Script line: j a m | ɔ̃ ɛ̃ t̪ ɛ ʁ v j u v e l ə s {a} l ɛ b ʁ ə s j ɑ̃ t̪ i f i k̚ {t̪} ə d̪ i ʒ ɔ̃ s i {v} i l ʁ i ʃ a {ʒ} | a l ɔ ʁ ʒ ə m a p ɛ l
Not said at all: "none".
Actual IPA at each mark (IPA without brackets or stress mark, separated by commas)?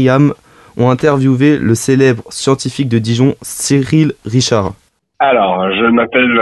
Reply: e, d̪, ʁ, ʁ